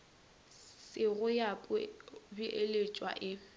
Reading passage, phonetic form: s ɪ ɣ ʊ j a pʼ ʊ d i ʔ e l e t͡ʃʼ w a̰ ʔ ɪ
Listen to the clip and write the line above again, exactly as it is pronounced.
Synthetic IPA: s ɪ ɣ ʊ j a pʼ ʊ b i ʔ e l e t͡ʃʼ w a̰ ʔ ɪ